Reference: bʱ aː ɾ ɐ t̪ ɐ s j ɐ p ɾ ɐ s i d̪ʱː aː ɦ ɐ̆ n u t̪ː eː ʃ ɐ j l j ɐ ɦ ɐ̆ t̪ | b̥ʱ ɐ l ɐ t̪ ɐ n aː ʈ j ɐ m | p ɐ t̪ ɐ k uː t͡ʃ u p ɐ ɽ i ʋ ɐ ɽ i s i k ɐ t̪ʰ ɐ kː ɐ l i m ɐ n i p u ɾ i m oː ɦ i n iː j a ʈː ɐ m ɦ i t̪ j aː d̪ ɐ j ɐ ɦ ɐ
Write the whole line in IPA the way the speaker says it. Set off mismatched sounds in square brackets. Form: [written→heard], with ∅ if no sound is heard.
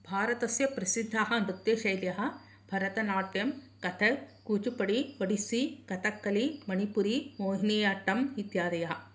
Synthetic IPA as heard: bʱ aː ɾ ɐ t̪ ɐ s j ɐ p ɾ ɐ s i d̪ʱː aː ɦ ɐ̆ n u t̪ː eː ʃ ɐ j l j ɐ ɦ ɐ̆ [t̪→∅] | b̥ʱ ɐ [l→ɾ] ɐ t̪ ɐ n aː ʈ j ɐ m | [p→k] ɐ [t̪→t̪ʰ] ɐ k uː t͡ʃ u p ɐ ɽ i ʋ ɐ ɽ i s i k ɐ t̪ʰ ɐ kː ɐ l i m ɐ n i p u ɾ i m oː ɦ i n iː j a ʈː ɐ m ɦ i t̪ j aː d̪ ɐ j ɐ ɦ ɐ